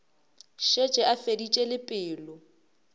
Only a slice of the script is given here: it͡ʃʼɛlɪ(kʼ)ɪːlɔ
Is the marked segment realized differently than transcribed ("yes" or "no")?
yes